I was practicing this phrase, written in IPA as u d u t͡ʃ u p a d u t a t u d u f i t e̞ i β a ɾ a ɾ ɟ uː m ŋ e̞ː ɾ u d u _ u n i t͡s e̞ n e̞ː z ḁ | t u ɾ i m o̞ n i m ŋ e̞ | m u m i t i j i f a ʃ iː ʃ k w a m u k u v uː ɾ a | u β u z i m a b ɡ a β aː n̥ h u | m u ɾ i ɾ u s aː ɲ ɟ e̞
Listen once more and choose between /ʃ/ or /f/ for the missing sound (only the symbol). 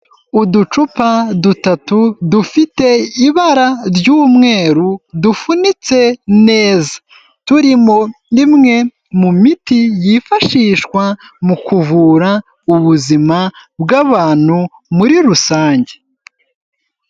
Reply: f